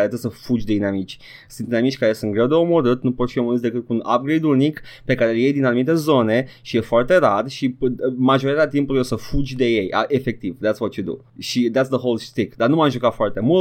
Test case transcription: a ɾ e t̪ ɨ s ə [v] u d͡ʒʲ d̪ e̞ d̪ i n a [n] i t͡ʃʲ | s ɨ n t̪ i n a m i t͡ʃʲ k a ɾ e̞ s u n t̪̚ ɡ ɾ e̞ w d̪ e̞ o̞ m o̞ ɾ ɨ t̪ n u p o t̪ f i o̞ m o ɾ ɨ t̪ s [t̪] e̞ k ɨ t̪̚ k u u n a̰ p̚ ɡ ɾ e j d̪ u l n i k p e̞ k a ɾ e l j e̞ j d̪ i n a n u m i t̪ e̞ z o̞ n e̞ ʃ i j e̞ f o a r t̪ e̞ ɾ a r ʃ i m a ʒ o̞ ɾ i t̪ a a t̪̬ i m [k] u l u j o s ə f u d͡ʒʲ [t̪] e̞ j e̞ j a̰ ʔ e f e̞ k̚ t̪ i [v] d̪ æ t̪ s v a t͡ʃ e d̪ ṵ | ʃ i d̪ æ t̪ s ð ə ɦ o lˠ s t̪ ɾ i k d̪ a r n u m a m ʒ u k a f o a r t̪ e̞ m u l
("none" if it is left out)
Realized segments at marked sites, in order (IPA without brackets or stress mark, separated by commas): f, m, d̪, p, d̪, v